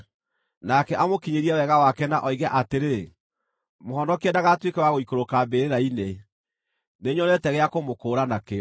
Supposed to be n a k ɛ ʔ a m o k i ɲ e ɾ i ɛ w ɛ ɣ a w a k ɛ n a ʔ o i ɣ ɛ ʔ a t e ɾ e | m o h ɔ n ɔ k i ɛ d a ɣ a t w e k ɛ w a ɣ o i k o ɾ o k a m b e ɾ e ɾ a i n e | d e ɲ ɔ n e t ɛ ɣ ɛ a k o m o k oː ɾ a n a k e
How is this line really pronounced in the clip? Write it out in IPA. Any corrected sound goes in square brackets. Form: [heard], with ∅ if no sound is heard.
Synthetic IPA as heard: n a k ɛ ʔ a m o k i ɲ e ɾ i ɛ w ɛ ɣ a w a k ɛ n a ʔ [ɔ] i ɣ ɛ ʔ a t e ɾ e | m o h ɔ n ɔ k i ɛ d a ɣ a t w e k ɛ w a ɣ o i k o ɾ o k a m b e ɾ e ɾ a i n e | [n] e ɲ ɔ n [ɛ] t ɛ ɣ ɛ a k o m o k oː ɾ a n a k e

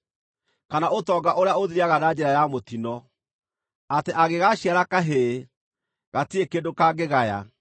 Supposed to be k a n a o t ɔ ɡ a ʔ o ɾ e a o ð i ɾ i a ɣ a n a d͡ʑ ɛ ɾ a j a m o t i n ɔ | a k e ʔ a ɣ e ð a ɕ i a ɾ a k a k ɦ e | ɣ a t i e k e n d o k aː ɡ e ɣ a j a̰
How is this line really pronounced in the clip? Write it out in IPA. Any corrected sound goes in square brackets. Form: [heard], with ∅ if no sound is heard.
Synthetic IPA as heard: k a n a o t ɔ ɡ a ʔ o ɾ e a o ð i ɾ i a ɣ a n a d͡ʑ ɛ ɾ a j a m o t i n ɔ | a [t] e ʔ a ɣ e [ɣ] a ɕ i a ɾ a k a [∅] ɦ e | ɣ a t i e k e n d o k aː ɡ e ɣ a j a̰

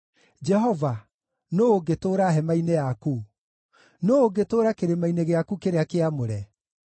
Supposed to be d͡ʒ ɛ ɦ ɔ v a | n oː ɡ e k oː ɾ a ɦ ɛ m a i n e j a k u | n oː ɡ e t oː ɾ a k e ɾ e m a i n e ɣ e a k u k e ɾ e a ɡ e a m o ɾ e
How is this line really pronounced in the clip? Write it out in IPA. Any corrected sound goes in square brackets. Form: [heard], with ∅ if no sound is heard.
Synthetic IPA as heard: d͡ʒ ɛ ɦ ɔ v a | n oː ɡ e [t] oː ɾ a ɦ ɛ m a i n e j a k u | n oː ɡ e t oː ɾ a k e ɾ e m a i n e ɣ e a k u k e ɾ e a [k] e a m o ɾ [ɛ]

